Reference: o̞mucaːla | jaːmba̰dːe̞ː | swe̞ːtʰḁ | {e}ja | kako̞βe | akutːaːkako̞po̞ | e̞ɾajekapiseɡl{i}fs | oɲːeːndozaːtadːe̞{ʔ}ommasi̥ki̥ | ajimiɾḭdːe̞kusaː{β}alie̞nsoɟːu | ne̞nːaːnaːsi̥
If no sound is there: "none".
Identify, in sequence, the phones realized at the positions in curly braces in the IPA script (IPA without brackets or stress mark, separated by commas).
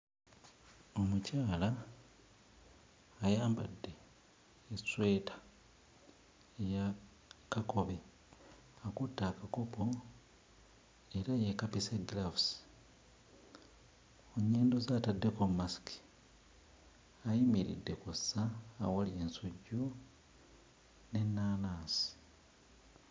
e, a, k, w